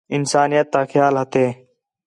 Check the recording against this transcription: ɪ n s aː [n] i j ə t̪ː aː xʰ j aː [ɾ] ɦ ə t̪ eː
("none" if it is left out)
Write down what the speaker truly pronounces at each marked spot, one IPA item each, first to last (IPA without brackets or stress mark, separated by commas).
n, l